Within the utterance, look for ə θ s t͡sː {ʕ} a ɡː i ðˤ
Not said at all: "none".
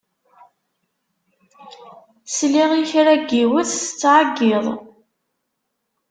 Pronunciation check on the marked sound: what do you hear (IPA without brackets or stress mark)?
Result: ʕ